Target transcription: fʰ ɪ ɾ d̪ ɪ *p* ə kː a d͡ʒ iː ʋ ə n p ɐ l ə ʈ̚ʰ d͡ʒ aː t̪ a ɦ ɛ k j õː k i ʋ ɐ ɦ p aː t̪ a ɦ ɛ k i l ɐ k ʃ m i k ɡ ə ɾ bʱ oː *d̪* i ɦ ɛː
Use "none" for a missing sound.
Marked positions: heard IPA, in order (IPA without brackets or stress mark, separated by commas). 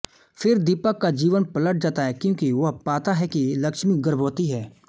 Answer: p, t̪